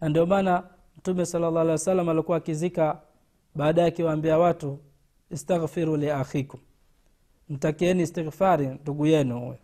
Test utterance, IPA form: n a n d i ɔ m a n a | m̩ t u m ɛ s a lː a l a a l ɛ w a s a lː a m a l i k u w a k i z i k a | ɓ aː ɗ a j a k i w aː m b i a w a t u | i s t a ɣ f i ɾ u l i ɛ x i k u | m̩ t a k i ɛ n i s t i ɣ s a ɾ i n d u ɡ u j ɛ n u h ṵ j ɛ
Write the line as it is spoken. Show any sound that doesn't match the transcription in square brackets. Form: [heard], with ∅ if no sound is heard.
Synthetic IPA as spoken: n a n d i ɔ m a n a | m̩ t u m ɛ s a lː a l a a l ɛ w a s a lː a m a l i k u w a k i z i k a | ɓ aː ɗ a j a k i w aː m b i a w a t u | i s t a ɣ f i ɾ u l i [a] x i k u | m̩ t a k i ɛ n i s t i ɣ [f] a ɾ i n d u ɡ u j ɛ n u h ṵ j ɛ